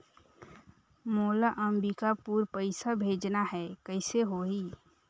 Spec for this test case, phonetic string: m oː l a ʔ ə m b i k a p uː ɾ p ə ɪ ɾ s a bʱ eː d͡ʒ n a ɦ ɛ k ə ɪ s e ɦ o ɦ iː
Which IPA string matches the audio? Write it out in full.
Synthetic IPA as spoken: m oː l a ʔ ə m b i k a p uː ɾ p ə ɪ s a bʱ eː d͡ʒ n a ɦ ɛ k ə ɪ s e ɦ o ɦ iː